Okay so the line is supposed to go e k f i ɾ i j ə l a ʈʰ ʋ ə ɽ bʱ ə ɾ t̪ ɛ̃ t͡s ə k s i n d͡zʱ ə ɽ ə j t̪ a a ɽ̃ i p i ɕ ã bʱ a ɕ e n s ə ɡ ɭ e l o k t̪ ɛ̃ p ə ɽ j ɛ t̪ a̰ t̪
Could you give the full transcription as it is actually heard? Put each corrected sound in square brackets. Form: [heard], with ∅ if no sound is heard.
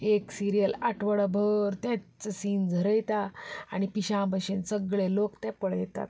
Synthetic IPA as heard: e k [s] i ɾ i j ə l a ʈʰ ʋ ə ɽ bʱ ə ɾ t̪ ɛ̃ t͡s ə [∅] s i n d͡zʱ ə [ɾ] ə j t̪ a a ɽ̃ i p i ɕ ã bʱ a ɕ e n s ə ɡ ɭ e l o k t̪ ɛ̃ p ə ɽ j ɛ t̪ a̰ t̪